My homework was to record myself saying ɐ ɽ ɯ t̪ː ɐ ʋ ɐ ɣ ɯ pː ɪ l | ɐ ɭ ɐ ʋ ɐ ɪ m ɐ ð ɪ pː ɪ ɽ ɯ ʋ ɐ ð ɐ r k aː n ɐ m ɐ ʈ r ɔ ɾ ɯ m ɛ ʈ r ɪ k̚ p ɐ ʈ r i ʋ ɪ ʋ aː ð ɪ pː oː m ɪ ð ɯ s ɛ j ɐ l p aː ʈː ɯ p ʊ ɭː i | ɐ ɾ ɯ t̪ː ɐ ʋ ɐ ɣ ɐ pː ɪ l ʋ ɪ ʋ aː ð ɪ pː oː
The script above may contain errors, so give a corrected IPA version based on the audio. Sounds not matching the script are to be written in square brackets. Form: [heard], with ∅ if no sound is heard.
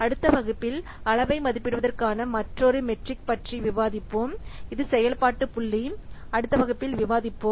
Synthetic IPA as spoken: ɐ ɽ ɯ t̪ː ɐ ʋ ɐ ɣ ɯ pː ɪ l | ɐ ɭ ɐ ʋ ɐ ɪ m ɐ ð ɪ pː ɪ ɽ ɯ ʋ ɐ ð ɐ r k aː n ɐ m ɐ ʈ r ɔ ɾ ɯ m ɛ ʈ r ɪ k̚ p ɐ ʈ r i ʋ ɪ ʋ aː ð ɪ pː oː m ɪ ð ɯ s ɛ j ɐ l p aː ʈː ɯ p ʊ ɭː i | ɐ [ɽ] ɯ t̪ː ɐ ʋ ɐ ɣ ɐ pː ɪ l ʋ ɪ ʋ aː ð ɪ pː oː